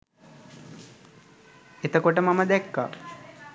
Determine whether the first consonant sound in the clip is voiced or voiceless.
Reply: voiceless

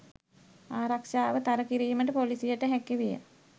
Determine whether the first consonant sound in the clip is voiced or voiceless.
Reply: voiced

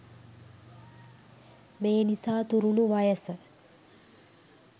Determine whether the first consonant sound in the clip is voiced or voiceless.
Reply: voiced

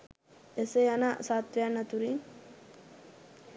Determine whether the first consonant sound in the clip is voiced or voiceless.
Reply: voiceless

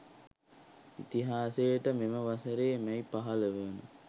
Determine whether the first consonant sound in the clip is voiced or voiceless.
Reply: voiceless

